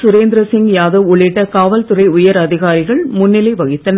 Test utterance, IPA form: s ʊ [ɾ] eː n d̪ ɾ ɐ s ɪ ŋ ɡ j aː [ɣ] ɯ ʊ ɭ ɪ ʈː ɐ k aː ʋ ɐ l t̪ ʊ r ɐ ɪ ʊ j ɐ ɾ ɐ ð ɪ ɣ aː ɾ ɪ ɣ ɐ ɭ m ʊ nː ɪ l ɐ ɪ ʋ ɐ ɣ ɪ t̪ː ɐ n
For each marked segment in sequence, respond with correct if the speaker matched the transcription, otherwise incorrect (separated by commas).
correct, incorrect